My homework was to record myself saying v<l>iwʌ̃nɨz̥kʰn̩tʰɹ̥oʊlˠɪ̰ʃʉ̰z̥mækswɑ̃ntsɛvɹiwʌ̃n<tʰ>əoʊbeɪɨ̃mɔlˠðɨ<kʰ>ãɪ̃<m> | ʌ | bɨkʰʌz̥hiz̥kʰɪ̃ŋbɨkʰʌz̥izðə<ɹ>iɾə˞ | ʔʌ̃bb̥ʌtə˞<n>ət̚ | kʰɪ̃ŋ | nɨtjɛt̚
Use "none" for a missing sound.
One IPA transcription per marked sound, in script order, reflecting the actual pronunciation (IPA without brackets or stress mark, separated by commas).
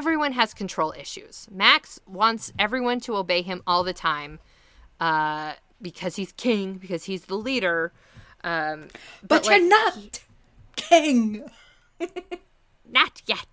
ɹ, tʰ, tʰ, m, l, n